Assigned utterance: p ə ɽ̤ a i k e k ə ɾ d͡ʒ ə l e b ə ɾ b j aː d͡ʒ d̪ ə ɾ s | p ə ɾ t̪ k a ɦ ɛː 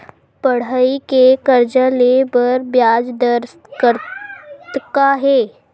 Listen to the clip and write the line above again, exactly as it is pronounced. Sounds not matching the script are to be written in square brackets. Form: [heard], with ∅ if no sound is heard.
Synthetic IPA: p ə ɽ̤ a i k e k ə ɾ d͡ʒ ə l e b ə ɾ b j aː d͡ʒ d̪ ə ɾ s | [k] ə ɾ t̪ k a ɦ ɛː